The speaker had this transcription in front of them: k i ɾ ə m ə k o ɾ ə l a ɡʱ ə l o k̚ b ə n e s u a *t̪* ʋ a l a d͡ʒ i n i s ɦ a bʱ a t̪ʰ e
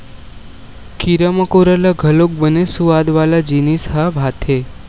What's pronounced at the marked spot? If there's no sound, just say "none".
d̪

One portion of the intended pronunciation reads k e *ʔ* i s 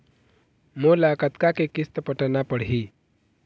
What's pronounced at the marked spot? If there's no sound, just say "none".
k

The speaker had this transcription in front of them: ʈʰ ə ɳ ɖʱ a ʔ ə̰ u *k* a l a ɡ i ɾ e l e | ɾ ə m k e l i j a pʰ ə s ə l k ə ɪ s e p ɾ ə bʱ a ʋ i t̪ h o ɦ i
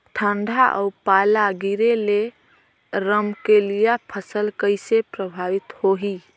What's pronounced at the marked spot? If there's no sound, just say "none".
p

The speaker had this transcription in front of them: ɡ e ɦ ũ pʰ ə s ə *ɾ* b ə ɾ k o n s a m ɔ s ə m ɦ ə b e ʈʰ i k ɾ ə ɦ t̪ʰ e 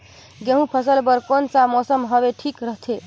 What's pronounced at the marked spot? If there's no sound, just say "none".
l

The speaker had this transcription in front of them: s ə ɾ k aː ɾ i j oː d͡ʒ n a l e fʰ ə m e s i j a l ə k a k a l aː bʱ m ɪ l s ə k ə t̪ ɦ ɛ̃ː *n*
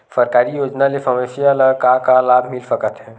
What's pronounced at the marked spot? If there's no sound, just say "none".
none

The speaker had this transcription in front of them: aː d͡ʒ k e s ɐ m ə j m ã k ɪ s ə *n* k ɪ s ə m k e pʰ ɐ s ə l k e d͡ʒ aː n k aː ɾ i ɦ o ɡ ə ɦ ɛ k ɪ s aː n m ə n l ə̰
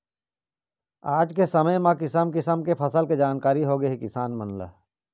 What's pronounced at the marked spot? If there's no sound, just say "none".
m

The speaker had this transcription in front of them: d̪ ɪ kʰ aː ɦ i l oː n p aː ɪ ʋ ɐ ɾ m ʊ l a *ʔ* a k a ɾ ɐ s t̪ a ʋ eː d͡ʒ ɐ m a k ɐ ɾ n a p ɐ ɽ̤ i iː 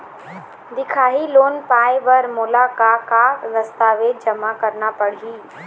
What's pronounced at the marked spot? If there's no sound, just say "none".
k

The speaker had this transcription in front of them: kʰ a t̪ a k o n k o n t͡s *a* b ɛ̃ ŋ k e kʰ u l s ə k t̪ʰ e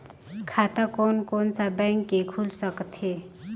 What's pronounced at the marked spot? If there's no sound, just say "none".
a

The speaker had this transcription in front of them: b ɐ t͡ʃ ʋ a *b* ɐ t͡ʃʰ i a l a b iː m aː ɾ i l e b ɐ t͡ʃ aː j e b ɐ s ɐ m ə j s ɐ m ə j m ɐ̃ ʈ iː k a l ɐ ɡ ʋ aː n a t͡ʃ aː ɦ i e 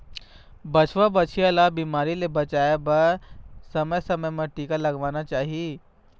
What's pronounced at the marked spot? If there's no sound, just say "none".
b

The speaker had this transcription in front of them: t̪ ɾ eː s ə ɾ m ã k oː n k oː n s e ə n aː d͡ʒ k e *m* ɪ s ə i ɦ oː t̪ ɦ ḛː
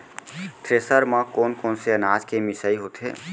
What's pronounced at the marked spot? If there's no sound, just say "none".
m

